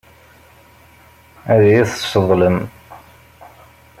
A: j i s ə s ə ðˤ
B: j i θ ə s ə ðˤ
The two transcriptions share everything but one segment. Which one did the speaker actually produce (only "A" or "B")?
B